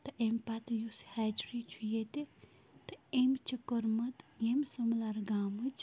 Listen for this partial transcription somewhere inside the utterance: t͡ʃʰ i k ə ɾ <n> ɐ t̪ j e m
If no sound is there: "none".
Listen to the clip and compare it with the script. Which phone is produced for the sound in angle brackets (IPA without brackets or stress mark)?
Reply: m